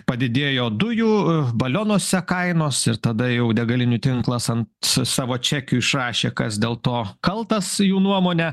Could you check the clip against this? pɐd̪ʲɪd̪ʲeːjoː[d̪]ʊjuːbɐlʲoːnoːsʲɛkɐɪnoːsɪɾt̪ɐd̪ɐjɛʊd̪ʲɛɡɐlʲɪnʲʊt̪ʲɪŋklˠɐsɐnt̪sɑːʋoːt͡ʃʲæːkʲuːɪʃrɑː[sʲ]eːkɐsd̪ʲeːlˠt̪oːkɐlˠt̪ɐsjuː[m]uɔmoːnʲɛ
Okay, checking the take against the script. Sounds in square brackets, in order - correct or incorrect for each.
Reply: correct, incorrect, incorrect

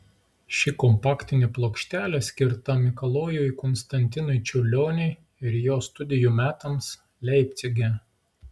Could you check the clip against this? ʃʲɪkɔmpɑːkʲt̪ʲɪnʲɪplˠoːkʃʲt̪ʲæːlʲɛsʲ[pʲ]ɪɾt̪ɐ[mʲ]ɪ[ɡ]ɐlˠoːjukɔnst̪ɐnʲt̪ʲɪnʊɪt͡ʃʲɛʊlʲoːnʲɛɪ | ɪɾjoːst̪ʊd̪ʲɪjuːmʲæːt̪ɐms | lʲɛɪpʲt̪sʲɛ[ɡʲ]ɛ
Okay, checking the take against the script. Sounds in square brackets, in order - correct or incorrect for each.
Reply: incorrect, correct, incorrect, correct

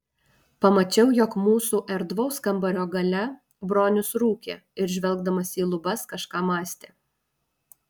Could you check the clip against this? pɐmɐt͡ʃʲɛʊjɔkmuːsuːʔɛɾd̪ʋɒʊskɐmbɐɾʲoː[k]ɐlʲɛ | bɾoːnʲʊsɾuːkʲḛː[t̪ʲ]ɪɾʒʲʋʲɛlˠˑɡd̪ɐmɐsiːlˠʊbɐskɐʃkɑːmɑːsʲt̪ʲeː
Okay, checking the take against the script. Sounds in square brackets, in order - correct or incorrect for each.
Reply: incorrect, incorrect

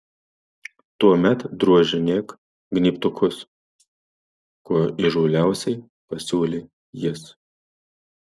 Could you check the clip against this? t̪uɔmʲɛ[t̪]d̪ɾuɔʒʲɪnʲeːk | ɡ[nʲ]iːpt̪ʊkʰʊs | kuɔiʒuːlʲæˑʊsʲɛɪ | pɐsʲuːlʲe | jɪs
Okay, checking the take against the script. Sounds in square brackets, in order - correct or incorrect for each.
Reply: correct, correct

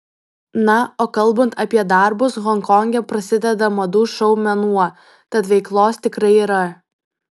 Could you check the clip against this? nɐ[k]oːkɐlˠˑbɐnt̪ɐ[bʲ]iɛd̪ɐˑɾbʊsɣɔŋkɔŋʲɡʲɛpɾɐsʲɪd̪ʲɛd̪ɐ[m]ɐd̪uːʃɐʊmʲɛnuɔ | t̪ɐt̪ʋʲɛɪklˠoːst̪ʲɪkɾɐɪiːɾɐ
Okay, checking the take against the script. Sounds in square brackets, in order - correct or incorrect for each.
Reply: incorrect, incorrect, correct

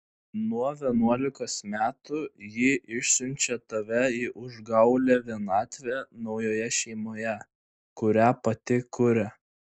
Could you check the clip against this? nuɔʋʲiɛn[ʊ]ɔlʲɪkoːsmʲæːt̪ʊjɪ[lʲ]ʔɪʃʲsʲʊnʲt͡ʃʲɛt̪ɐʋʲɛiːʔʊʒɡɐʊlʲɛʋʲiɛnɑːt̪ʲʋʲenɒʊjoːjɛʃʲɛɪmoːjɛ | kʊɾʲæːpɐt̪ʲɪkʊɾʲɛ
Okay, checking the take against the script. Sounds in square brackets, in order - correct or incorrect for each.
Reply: incorrect, incorrect

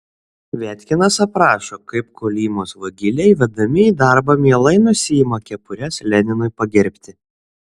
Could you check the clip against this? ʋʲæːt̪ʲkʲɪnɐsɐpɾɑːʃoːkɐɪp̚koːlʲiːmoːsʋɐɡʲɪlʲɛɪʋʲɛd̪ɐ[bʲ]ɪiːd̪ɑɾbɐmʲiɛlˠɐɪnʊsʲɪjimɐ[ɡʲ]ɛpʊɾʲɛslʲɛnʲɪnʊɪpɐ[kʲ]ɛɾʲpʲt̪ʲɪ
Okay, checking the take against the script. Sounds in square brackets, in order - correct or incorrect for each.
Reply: incorrect, incorrect, incorrect

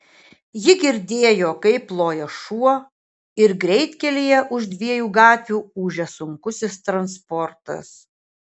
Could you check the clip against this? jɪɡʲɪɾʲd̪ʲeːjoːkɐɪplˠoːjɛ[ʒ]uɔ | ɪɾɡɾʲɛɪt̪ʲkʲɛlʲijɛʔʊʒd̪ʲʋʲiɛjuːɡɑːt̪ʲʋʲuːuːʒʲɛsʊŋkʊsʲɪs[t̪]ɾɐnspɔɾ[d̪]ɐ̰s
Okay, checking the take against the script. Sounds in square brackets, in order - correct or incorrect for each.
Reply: incorrect, correct, incorrect

